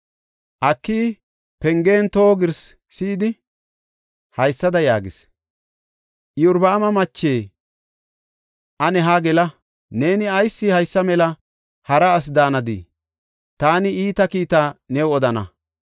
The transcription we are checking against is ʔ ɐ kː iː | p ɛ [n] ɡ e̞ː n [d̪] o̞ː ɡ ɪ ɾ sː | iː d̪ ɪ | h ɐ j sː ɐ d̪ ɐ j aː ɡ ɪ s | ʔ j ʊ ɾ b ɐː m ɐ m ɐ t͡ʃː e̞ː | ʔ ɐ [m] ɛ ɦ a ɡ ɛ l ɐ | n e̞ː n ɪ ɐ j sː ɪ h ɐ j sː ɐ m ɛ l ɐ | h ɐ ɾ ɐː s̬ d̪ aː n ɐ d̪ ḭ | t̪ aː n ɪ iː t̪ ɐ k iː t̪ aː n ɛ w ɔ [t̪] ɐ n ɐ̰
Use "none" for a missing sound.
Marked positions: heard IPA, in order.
ŋ, t̪, n, d̪

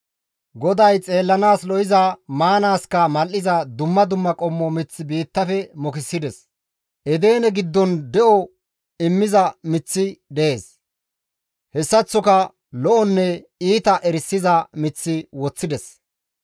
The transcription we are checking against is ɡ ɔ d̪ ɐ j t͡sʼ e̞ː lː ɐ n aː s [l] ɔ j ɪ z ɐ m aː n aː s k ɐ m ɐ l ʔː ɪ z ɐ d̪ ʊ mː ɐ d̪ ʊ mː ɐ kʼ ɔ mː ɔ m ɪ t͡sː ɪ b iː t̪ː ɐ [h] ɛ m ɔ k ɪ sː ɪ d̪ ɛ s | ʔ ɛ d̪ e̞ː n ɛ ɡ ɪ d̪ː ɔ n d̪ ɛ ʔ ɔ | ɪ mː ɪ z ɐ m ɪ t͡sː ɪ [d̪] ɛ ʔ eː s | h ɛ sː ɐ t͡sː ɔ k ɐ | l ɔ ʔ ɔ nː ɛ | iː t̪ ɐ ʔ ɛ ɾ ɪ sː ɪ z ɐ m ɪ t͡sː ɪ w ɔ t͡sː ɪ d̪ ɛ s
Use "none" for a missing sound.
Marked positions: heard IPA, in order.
l, f, d̪

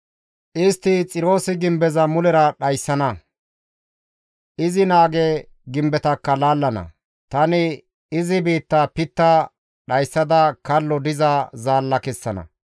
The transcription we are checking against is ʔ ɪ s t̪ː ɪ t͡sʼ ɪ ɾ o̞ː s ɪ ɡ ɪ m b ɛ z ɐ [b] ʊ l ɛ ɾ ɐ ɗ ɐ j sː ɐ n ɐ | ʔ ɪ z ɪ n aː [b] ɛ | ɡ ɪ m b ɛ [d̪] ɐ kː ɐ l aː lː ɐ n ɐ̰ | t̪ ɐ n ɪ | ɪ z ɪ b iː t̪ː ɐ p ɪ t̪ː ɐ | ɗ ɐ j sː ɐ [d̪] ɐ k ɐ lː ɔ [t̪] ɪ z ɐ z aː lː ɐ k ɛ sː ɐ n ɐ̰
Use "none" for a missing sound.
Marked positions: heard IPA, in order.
m, ɡ, t̪, d̪, d̪

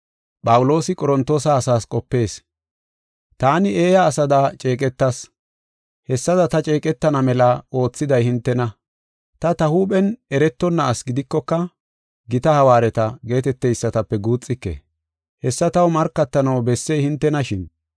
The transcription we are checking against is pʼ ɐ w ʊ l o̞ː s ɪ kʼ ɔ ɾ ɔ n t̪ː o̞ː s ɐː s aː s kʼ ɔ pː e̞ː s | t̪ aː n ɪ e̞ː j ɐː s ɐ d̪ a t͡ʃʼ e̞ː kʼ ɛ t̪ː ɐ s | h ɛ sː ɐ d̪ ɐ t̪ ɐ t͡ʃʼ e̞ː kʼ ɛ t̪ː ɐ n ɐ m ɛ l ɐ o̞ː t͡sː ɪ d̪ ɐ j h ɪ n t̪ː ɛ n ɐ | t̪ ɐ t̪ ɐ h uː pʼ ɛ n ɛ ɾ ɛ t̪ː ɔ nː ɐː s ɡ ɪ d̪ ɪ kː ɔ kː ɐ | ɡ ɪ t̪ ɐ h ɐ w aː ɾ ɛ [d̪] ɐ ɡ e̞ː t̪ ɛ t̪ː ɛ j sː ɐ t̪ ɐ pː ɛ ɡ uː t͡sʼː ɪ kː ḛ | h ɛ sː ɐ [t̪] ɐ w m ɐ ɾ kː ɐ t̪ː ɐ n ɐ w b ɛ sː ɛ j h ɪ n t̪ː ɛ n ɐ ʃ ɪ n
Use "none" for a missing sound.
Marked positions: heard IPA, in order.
t̪, t̪

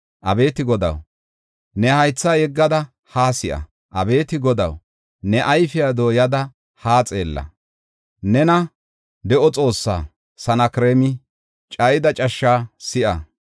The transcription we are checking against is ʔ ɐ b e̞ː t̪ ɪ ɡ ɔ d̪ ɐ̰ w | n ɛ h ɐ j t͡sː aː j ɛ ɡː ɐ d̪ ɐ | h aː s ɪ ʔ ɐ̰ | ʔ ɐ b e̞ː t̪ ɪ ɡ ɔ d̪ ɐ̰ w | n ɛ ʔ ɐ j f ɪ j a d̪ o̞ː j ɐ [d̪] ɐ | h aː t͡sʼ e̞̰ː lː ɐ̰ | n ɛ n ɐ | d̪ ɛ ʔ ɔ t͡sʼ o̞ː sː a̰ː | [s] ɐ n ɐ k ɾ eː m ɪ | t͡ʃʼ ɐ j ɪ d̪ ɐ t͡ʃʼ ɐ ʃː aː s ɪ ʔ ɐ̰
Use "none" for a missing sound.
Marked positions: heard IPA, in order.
d̪, s

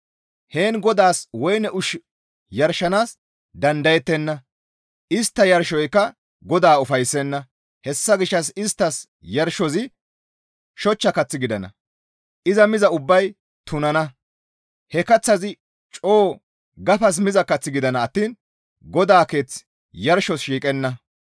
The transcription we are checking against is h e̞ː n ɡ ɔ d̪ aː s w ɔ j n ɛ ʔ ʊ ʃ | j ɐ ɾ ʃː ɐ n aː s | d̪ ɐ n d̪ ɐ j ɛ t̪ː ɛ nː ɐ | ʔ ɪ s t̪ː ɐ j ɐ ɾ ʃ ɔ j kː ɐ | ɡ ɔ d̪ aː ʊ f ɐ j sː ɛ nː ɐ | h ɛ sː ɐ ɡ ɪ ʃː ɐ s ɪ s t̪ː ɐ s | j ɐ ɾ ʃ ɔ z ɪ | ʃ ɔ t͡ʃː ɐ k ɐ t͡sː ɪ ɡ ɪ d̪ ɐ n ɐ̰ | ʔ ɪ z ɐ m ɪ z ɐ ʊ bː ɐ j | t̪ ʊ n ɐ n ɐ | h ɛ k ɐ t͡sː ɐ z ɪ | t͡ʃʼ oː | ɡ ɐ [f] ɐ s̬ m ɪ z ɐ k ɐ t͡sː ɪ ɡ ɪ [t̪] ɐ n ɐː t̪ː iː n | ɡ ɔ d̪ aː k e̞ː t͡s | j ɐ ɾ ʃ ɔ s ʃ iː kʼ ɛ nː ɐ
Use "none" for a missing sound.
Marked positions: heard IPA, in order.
f, d̪

